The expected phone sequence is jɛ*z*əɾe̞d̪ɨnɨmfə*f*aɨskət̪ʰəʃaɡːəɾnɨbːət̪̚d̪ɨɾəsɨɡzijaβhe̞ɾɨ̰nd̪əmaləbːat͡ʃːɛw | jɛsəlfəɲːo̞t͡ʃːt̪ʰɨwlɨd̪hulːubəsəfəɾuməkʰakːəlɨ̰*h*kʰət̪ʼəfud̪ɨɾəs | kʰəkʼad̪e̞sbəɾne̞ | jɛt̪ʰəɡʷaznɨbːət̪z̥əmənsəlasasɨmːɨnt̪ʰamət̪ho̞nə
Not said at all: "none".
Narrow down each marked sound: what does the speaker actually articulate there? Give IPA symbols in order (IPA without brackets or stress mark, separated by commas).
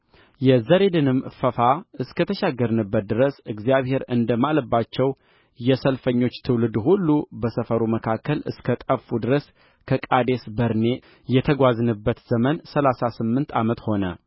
z, f, s